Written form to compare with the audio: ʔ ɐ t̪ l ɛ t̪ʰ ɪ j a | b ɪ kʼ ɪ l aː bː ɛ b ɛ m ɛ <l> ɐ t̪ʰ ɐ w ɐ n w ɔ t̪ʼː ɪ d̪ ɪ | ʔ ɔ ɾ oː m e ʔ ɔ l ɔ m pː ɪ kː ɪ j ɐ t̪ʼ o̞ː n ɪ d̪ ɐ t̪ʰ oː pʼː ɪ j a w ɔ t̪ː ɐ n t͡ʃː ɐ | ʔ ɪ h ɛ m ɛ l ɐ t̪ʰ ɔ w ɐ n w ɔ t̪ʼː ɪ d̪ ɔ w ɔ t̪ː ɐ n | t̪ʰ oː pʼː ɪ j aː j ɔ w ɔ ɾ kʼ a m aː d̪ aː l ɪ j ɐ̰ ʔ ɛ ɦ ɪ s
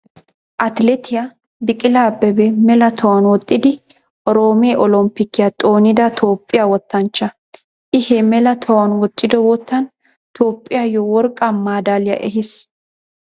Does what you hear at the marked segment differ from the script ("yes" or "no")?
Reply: no